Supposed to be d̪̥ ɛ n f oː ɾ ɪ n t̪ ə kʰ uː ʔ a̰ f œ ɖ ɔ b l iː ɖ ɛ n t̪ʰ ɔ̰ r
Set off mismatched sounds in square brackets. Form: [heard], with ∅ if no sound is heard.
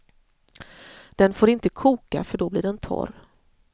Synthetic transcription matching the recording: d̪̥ ɛ n f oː ɾ ɪ n t̪ ə kʰ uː [k] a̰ f œ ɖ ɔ b l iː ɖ ɛ n t̪ʰ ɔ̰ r